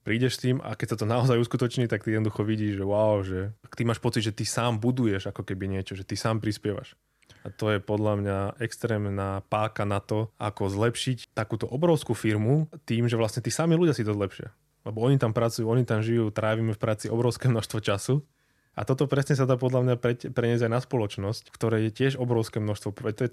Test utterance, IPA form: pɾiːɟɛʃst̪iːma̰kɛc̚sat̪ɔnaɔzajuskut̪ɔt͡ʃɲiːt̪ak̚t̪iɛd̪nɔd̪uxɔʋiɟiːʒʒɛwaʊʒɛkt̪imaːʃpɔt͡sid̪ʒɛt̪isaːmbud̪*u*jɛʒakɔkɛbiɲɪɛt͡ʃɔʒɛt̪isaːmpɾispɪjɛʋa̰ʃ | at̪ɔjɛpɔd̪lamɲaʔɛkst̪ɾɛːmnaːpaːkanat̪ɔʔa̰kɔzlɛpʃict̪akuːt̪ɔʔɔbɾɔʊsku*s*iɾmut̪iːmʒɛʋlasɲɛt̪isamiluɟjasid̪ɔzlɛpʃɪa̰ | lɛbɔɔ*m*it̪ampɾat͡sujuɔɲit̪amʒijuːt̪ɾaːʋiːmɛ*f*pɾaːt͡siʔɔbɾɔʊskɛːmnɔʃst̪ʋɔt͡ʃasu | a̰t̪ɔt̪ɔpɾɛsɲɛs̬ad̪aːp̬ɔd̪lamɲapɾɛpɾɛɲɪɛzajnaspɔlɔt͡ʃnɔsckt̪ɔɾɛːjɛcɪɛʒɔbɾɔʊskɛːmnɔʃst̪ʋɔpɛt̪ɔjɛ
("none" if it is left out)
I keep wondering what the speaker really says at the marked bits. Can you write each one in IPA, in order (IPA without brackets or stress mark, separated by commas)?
u, f, ɲ, f